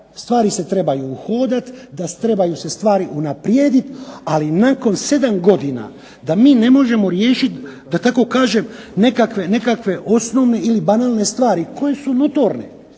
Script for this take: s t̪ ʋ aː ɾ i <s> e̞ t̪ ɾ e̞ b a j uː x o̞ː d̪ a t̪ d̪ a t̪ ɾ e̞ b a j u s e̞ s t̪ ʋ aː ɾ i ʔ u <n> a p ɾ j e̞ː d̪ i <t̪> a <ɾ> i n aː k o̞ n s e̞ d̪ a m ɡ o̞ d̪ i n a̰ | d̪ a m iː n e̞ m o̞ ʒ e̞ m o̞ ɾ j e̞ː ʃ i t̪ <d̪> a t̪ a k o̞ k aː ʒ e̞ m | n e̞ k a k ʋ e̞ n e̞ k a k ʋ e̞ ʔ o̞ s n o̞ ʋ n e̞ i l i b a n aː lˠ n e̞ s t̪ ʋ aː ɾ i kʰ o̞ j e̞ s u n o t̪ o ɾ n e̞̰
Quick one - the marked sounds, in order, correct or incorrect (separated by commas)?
correct, correct, correct, incorrect, correct